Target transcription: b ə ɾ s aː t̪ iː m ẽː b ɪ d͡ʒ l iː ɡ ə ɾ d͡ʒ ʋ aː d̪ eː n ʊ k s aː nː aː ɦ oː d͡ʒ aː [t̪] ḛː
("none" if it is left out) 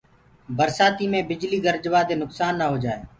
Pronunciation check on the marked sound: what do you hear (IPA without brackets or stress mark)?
none